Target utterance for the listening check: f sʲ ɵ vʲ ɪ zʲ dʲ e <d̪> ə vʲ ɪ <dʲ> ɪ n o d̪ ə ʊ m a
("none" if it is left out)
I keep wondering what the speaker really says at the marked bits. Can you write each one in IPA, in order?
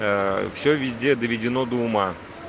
d̪, dʲ

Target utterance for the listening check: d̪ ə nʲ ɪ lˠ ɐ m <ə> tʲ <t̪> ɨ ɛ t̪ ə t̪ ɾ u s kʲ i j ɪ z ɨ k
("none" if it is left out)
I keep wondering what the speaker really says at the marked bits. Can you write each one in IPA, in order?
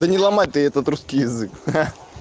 a, t̪

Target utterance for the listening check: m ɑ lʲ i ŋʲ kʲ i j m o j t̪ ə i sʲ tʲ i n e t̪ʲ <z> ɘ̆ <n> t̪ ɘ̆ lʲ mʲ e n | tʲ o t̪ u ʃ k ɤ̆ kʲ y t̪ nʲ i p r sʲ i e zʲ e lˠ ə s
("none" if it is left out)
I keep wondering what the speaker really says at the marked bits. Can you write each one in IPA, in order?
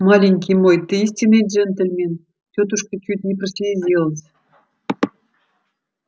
ʒ, n

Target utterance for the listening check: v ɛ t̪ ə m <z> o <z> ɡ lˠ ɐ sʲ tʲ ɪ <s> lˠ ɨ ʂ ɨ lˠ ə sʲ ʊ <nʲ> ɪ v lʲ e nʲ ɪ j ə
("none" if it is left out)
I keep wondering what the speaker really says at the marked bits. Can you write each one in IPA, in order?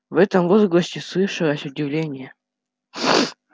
v, z, s, dʲ

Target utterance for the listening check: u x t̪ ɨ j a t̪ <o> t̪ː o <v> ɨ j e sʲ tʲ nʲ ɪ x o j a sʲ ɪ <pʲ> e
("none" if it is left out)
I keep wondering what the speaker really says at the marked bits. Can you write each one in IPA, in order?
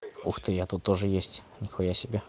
u, ʐ, bʲ

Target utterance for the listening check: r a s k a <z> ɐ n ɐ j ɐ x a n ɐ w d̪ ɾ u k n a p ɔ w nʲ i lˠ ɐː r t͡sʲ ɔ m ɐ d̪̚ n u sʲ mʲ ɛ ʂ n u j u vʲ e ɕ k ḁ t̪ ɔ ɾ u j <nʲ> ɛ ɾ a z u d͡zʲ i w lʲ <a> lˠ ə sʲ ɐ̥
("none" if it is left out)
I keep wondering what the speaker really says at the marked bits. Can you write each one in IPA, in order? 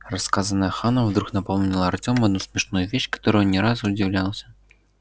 z, nʲ, a

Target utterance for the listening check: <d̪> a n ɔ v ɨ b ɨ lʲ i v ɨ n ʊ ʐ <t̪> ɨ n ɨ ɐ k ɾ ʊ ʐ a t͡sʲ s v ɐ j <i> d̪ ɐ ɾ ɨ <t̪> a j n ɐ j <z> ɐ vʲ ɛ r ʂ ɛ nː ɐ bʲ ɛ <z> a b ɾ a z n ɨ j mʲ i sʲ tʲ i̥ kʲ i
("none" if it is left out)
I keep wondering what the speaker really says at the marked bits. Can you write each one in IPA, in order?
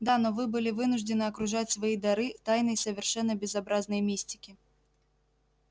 d̪, d̪, i, t̪, s, z

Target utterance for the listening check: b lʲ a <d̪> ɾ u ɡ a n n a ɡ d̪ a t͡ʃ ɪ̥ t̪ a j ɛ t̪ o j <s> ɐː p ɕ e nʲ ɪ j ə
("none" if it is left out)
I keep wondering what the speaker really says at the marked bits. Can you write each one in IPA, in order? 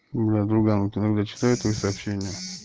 d̪, s

